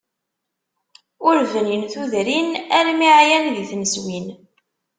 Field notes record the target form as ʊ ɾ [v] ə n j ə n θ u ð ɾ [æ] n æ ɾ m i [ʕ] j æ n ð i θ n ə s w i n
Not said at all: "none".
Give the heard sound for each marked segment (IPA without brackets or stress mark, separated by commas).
v, i, ʕ